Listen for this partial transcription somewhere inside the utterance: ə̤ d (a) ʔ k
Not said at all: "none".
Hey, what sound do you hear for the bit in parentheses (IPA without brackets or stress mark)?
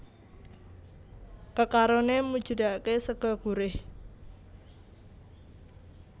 a